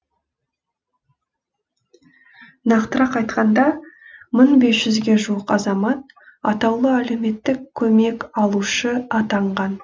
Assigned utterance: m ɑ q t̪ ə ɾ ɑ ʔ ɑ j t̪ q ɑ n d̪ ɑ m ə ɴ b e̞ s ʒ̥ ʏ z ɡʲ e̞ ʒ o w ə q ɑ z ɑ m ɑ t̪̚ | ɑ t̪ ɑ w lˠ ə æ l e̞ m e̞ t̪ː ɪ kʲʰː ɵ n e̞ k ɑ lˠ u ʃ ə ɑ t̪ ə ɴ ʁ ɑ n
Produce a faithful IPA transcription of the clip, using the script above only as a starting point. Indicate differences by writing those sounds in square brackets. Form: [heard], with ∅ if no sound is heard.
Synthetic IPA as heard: [n] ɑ q t̪ ə ɾ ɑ [q] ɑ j t̪ q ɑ n d̪ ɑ m ə ɴ b e̞ s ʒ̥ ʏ z ɡʲ e̞ ʒ [u] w ə q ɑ z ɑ m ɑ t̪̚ | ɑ t̪ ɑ w lˠ ə æ l e̞ m e̞ t̪ː ɪ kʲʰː ɵ [m] e̞ k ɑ lˠ u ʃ ə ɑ t̪ [ɑ] ɴ ʁ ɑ n